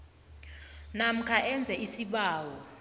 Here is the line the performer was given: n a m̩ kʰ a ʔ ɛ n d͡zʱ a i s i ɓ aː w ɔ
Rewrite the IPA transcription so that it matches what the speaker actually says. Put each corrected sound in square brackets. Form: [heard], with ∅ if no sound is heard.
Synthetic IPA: n a m̩ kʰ a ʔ ɛ n d͡zʱ [ɛ] i s i ɓ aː w ɔ